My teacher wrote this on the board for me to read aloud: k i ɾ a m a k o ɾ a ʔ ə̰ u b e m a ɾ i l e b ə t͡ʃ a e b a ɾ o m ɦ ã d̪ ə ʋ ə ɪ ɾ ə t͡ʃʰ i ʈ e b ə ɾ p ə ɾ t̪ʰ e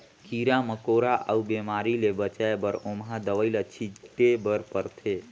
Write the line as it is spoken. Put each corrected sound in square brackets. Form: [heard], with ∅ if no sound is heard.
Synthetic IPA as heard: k i ɾ a m [ə] k o ɾ a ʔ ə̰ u b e m a ɾ i l e b ə t͡ʃ a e b [ə] ɾ o m ɦ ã d̪ ə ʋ ə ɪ [l] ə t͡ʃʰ i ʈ e b ə ɾ p ə ɾ t̪ʰ e

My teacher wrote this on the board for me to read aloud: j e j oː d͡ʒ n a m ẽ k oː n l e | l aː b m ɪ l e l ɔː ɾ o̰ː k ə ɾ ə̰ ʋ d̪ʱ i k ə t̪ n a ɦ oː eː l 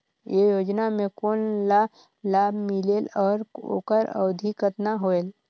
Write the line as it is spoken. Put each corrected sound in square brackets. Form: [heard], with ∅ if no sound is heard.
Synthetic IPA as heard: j e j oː d͡ʒ n a m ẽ k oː n l [a] | l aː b m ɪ l e l ɔː ɾ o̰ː k ə ɾ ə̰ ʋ d̪ʱ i k ə t̪ n a ɦ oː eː l

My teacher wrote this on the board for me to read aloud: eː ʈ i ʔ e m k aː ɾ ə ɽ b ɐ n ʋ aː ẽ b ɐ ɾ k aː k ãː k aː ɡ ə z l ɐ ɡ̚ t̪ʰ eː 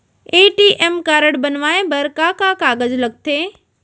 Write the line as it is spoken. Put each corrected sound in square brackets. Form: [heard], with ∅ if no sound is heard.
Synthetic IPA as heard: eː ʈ i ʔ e m k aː ɾ ə ɽ b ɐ n ʋ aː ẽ b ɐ ɾ k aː k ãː k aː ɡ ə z l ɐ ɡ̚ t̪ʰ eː

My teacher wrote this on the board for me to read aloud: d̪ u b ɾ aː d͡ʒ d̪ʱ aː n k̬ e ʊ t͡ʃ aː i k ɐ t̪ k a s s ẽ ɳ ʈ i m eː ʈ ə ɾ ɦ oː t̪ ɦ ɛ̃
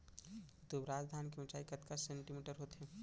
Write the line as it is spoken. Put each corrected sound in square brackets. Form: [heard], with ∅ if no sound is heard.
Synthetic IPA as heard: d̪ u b ɾ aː d͡ʒ d̪ʱ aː n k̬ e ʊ t͡ʃ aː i k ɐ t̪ k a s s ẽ ɳ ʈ i m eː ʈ ə ɾ ɦ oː t̪ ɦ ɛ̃

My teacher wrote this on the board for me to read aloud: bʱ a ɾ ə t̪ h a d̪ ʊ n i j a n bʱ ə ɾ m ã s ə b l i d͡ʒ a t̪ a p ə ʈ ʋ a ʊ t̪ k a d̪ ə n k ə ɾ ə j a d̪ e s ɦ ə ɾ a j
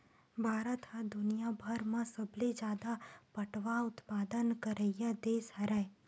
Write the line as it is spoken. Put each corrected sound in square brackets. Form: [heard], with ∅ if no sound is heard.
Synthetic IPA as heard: bʱ a ɾ ə t̪ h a d̪ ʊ n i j a [∅] bʱ ə ɾ m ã s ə b l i d͡ʒ a [d̪] a p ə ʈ ʋ a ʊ t̪ [p] a d̪ ə n k ə ɾ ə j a d̪ e s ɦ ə ɾ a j

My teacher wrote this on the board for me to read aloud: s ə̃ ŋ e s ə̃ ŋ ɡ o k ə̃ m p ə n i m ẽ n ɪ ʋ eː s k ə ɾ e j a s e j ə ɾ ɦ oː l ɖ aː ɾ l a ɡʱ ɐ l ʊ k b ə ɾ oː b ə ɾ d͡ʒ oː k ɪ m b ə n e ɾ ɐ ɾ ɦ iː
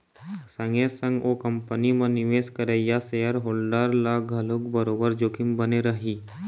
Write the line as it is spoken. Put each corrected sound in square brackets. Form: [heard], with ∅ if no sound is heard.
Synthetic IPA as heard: s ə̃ ŋ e s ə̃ ŋ ɡ o k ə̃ m p ə n i m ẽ n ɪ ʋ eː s k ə ɾ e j a s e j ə ɾ ɦ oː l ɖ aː ɾ l a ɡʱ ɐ l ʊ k b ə ɾ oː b ə ɾ d͡ʒ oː k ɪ m b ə n e ɾ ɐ [∅] ɦ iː

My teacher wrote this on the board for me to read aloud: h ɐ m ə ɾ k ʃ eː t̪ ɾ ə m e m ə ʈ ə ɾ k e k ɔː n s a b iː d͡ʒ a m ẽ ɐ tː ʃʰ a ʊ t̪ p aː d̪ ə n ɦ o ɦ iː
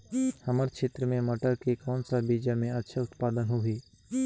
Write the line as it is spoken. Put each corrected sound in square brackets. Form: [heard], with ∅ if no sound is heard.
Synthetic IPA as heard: h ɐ m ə ɾ k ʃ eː t̪ ɾ ə m [ẽ] m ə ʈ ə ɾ k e k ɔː n s a b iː d͡ʒ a m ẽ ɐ tː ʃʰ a ʊ t̪ p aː d̪ ə n ɦ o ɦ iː

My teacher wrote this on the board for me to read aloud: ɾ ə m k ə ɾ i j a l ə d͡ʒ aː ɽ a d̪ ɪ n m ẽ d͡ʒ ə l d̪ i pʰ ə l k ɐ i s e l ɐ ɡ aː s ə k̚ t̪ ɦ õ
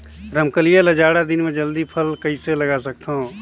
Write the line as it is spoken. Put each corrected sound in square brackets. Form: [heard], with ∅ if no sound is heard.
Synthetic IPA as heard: ɾ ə m k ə [l] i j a l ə d͡ʒ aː ɽ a d̪ ɪ n m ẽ d͡ʒ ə l d̪ i pʰ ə l k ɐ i s e l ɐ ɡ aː s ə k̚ t̪ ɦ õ

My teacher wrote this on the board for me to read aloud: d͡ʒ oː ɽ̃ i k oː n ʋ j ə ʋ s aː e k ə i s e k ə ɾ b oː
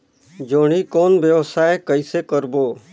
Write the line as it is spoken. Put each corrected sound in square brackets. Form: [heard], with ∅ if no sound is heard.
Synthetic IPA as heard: d͡ʒ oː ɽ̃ i k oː n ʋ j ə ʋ s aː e k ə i s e k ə ɾ b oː

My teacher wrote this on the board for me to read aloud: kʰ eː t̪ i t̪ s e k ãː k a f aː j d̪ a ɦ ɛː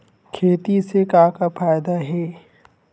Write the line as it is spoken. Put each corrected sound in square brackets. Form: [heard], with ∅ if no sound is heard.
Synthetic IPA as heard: kʰ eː t̪ i [∅] s e k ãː k a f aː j d̪ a ɦ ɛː

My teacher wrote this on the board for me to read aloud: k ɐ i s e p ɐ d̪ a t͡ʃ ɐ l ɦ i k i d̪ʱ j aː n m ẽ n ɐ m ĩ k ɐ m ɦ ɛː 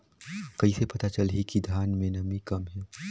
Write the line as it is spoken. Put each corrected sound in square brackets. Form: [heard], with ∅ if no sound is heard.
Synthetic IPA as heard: k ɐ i s e p ɐ [t̪] a t͡ʃ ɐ l ɦ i k i d̪ʱ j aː n m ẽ n ɐ m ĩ k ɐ m ɦ ɛː

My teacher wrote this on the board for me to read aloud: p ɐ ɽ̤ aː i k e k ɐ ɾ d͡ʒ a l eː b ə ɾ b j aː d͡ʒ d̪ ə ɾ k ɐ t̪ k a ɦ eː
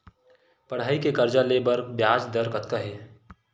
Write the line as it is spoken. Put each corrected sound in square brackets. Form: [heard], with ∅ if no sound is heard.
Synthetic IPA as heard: p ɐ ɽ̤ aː i k e k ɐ ɾ d͡ʒ a l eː b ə ɾ b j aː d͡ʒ d̪ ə ɾ k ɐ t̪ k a ɦ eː

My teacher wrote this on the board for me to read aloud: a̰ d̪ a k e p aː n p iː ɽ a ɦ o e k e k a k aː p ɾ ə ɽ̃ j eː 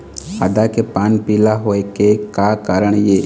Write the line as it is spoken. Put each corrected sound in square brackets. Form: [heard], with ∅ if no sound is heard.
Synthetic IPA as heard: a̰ d̪ a k e p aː n p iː [l] a ɦ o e k e k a k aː [∅] ɾ ə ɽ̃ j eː

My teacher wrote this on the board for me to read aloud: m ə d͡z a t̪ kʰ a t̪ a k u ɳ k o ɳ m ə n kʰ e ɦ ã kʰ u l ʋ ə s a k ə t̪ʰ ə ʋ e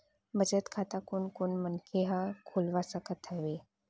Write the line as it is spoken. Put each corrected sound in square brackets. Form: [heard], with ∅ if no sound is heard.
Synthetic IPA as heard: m ə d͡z [ə] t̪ kʰ a t̪ a k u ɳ k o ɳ m ə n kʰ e ɦ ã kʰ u l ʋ [a] s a k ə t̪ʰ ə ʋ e

